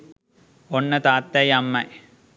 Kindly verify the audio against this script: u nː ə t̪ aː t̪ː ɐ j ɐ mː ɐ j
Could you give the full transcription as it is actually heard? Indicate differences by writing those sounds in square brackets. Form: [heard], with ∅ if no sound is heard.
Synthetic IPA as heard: [o] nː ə t̪ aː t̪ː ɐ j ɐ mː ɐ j